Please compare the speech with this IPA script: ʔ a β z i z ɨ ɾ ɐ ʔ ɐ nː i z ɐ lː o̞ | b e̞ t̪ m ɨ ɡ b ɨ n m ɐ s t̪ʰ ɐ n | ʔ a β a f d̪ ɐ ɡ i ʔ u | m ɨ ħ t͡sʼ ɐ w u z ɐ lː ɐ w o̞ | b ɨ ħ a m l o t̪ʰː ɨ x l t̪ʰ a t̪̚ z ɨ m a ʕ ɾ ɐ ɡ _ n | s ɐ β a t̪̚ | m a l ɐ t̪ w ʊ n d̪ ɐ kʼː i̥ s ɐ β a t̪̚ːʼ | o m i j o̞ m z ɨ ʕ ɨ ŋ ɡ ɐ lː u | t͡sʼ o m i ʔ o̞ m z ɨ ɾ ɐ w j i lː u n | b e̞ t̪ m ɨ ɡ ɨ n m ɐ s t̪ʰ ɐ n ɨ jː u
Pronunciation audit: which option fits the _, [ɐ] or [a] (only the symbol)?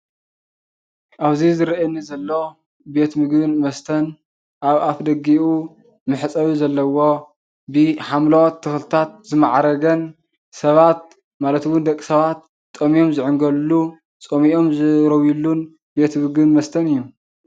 ɐ